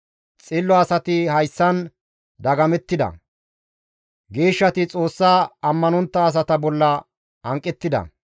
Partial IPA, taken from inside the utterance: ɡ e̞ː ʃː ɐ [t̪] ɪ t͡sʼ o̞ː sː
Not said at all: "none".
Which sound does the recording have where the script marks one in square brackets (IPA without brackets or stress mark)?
t̪